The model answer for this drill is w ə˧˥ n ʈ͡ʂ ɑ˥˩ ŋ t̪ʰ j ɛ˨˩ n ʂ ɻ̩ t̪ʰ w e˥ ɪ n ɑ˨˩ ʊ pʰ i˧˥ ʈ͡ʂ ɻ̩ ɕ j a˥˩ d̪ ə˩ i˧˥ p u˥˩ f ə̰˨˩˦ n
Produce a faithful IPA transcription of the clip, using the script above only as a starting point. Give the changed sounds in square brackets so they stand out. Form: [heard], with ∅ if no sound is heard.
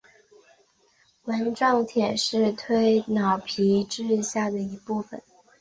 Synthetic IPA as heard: w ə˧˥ n ʈ͡ʂ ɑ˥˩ ŋ t̪ʰ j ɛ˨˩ n ʂ ɻ̩ t̪ʰ w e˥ ɪ n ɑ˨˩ ʊ pʰ i˧˥ ʈ͡ʂ ɻ̩ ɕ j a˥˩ d̪ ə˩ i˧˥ p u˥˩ f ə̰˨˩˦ n

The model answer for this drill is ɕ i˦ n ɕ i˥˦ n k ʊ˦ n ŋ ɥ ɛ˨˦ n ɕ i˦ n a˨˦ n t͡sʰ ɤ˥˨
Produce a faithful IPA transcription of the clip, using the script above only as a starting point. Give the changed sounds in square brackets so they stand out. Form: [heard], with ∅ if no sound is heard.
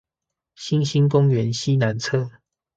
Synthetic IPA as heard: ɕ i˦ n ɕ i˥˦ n k ʊ˦ [∅] ŋ ɥ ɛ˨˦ n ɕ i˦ n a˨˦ n t͡sʰ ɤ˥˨

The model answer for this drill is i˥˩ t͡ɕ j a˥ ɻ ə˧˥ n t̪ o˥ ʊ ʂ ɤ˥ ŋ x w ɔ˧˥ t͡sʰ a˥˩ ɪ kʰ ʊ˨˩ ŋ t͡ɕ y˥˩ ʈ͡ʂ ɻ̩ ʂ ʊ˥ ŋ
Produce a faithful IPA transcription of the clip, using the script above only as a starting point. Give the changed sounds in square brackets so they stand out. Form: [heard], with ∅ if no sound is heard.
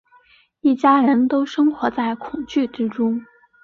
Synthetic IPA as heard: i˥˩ t͡ɕ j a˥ ɻ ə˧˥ n t̪ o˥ ʊ ʂ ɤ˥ ŋ x w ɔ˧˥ [t͡s] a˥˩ ɪ kʰ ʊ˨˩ ŋ t͡ɕ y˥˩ ʈ͡ʂ ɻ̩ [ʈ͡ʂ] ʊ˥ ŋ

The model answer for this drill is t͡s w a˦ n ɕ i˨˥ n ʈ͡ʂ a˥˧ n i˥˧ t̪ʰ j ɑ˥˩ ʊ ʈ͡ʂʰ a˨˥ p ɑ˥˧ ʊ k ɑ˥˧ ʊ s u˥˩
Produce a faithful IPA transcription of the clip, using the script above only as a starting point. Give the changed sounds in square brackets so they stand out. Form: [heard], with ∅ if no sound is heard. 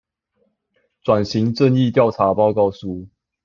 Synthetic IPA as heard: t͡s w [a˨˩] n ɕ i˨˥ [ŋ] ʈ͡ʂ [ə˥˧] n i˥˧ [t̪] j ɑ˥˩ ʊ ʈ͡ʂʰ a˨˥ p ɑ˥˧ ʊ k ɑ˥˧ ʊ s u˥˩

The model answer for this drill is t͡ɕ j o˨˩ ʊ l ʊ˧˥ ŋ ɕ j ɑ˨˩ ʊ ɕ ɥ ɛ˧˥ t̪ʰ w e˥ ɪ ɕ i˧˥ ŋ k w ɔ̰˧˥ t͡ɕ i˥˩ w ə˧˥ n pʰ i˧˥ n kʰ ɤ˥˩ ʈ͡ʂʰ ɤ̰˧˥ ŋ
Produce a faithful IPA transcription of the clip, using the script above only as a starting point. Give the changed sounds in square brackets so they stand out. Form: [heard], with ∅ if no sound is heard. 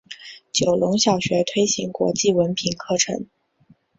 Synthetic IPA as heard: t͡ɕ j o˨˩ ʊ l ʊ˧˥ ŋ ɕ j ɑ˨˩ ʊ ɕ ɥ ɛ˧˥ t̪ʰ w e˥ ɪ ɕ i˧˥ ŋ k w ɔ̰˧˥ t͡ɕ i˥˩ w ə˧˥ n pʰ [i˨˩] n kʰ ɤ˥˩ ʈ͡ʂʰ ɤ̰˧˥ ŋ

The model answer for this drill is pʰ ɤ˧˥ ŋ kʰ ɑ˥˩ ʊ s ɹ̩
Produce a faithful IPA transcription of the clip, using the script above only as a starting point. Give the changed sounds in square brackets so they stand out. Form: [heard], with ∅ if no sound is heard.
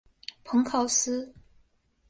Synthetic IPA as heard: pʰ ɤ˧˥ ŋ kʰ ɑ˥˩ ʊ s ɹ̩

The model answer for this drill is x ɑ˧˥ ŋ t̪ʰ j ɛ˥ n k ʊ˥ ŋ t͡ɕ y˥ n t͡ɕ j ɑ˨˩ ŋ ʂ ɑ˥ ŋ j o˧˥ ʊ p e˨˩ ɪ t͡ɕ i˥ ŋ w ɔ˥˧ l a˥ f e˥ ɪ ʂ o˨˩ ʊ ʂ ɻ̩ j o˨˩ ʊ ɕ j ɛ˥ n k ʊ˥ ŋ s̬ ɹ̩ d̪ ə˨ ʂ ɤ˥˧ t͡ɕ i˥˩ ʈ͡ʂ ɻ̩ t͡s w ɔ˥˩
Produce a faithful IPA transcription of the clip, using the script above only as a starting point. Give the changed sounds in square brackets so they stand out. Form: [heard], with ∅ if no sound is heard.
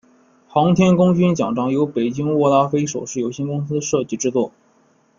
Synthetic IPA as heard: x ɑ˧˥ ŋ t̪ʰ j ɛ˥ n k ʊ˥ ŋ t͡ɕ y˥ n t͡ɕ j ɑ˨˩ ŋ [ʈ͡ʂ] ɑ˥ ŋ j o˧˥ ʊ p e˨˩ ɪ t͡ɕ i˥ ŋ w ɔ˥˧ l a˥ f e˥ ɪ ʂ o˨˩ ʊ ʂ ɻ̩ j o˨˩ ʊ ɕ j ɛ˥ n k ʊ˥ ŋ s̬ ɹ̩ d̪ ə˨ ʂ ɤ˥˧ t͡ɕ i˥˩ ʈ͡ʂ ɻ̩ t͡s w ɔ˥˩

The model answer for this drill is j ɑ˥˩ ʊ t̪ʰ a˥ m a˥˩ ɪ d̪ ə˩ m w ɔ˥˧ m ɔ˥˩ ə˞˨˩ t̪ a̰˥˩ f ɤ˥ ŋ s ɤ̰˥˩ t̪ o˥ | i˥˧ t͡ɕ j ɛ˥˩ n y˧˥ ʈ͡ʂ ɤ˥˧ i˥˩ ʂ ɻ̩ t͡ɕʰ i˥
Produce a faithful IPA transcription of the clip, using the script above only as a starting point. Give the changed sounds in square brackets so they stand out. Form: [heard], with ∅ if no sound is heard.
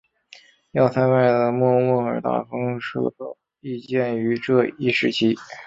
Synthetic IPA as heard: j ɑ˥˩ ʊ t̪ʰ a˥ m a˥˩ ɪ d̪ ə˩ m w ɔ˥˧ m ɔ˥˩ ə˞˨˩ t̪ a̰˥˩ f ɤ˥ ŋ [ʂ] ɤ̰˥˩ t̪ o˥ | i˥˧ t͡ɕ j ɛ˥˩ n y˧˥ ʈ͡ʂ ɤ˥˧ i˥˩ ʂ ɻ̩ t͡ɕʰ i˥

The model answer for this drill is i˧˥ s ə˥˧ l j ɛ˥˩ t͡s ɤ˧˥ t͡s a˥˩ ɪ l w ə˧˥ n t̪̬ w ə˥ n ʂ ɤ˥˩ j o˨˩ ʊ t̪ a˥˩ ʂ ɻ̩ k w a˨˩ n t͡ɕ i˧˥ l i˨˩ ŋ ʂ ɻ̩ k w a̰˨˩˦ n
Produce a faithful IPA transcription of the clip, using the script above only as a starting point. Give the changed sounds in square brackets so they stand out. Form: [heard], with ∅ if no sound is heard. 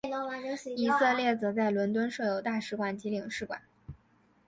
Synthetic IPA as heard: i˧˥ s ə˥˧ l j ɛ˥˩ t͡s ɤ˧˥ t͡s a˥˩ ɪ l w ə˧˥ n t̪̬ w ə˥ n ʂ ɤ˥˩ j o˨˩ ʊ t̪ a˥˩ ʂ ɻ̩ k w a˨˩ n t͡ɕ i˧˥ l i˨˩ ŋ ʂ ɻ̩ k w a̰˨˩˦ n

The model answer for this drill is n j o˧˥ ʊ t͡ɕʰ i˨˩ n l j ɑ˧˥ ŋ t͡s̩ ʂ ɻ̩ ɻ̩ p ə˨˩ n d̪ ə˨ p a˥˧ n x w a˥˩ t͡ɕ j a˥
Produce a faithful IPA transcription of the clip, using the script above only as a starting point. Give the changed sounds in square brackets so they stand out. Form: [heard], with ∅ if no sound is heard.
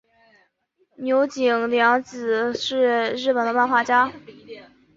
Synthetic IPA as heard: n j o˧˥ ʊ [t͡ɕ] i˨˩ [ŋ] l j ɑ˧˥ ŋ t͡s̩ ʂ ɻ̩ ɻ̩ p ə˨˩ n d̪ [ə˦] p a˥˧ n x w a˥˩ t͡ɕ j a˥

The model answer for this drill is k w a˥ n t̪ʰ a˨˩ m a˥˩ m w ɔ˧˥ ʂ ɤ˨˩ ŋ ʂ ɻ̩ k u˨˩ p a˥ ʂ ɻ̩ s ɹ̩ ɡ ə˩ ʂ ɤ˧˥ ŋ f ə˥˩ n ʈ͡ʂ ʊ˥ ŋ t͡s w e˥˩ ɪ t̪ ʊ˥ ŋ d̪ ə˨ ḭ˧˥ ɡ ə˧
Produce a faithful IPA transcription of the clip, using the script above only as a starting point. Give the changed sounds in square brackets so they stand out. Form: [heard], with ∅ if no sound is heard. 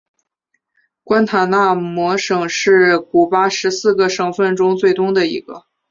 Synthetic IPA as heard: k w a˥ n t̪ʰ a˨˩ [n] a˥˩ m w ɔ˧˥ ʂ ɤ˨˩ ŋ ʂ ɻ̩ k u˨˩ p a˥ ʂ ɻ̩ s ɹ̩ ɡ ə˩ ʂ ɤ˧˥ ŋ f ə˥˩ n ʈ͡ʂ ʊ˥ ŋ t͡s w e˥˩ ɪ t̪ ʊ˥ ŋ d̪ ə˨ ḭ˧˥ ɡ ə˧

